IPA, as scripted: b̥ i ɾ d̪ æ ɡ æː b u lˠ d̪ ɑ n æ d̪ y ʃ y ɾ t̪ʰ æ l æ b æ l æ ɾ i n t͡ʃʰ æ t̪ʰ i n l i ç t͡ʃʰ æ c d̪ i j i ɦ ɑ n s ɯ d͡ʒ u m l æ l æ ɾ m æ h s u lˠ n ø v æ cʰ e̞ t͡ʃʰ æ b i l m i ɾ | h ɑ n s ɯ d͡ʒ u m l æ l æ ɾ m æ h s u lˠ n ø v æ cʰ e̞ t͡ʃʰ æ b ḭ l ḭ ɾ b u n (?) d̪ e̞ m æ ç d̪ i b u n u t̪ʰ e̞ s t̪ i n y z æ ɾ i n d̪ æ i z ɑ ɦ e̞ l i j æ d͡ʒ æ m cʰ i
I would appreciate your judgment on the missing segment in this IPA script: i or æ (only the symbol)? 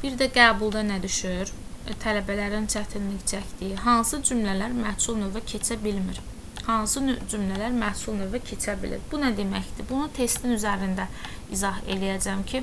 æ